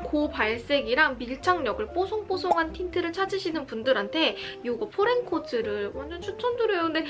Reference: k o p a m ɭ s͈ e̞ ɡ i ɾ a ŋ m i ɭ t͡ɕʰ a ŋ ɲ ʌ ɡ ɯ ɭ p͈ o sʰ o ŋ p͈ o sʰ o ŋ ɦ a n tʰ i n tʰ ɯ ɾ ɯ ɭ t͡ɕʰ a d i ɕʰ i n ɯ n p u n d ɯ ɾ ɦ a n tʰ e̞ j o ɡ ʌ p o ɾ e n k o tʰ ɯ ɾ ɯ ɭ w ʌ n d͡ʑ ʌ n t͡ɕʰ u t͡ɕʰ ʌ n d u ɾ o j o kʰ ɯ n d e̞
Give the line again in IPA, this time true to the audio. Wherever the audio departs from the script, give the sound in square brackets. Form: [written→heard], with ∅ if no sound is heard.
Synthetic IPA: k o p a [m→∅] ɭ s͈ e̞ ɡ i ɾ a ŋ m i ɭ t͡ɕʰ a ŋ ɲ ʌ ɡ ɯ ɭ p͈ o sʰ o ŋ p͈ o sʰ o ŋ ɦ a n tʰ i n tʰ ɯ ɾ ɯ ɭ t͡ɕʰ a [d→d͡ʑ] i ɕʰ i n ɯ n p u n d ɯ ɾ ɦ a n tʰ e̞ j o ɡ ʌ [p→pʰ] o ɾ e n [k→kʰ] o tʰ ɯ ɾ ɯ ɭ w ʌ n d͡ʑ ʌ n t͡ɕʰ u t͡ɕʰ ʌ n d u ɾ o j o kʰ ɯ n d e̞